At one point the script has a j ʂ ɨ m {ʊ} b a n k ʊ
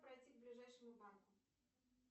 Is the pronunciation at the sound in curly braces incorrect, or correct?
correct